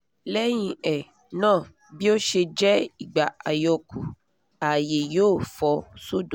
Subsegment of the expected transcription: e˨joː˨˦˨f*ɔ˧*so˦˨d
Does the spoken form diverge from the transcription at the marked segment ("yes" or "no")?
no